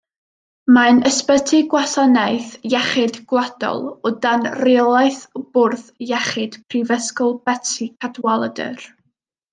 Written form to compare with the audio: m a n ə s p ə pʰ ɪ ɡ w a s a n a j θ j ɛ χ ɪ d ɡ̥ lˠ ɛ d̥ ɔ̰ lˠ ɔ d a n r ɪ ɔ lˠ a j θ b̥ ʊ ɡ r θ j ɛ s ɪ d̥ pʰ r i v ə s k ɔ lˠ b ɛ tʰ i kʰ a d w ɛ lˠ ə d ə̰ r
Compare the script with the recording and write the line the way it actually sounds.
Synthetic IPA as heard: m a n ə s p ə tʰ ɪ ɡ w a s a n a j θ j ɛ χ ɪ d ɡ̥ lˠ a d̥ ɔ̰ lˠ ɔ d a n r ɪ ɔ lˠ a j θ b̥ ʊ r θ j ɛ χ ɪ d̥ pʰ r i v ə s k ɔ lˠ b ɛ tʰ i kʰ a d w a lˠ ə d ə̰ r